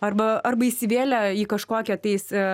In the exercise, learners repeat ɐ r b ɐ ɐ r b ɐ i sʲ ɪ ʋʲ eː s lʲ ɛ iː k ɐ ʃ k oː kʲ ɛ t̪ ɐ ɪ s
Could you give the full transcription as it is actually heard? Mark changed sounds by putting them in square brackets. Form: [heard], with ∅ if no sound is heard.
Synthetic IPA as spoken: ɐ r b ɐ ɐ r b ɐ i sʲ ɪ ʋʲ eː [∅] lʲ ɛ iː k ɐ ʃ k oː kʲ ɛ t̪ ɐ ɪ s